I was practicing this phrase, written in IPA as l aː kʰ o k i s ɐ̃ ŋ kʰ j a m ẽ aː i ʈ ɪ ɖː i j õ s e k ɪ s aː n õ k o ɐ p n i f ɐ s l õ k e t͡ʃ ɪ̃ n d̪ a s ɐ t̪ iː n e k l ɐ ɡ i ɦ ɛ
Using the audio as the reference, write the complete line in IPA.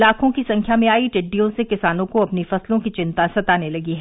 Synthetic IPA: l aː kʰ õ k i s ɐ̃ ŋ kʰ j a m ẽ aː i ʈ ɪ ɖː i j õ s e k ɪ s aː n õ k o ɐ p n i f ɐ s l õ k i t͡ʃ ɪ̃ n t̪ a s ɐ t̪ aː n e l ɐ ɡ i ɦ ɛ

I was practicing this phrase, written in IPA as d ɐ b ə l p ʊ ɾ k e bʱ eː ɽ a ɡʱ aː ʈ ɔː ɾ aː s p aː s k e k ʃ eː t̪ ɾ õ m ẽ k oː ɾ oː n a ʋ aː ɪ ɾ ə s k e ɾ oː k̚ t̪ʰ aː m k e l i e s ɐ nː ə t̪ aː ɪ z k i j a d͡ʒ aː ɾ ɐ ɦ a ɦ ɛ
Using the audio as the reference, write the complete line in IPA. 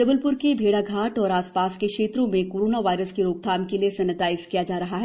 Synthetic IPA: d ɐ b ə l p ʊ ɾ k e bʱ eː ɽ a ɡʱ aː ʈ ɔː ɾ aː s p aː s k e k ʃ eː t̪ ɾ õ m ẽ k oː ɾ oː n a ʋ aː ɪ ɾ ə s k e ɾ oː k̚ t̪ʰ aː m k e l i e s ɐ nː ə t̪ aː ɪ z k i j a d͡ʒ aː ɾ ɐ ɦ a ɦ ɛ

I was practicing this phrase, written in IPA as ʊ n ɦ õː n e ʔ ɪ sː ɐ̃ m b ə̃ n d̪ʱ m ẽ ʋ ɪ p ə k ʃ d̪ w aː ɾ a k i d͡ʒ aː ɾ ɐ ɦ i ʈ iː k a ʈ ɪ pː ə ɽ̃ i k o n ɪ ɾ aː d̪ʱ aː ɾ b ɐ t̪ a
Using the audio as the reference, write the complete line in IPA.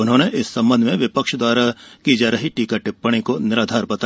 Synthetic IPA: ʊ n ɦ õː n e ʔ ɪ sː ɐ̃ m b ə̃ n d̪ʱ m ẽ ʋ ɪ p ə k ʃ d̪ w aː ɾ a k i d͡ʒ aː ɾ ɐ ɦ i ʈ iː k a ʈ ɪ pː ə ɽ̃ i k o n ɪ ɾ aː d̪ʱ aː ɾ b ɐ t̪ a

